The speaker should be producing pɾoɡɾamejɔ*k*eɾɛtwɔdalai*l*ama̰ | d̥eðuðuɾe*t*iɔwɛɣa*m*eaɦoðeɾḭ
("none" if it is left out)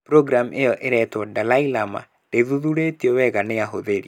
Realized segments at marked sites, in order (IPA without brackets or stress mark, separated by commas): ʔ, l, t, n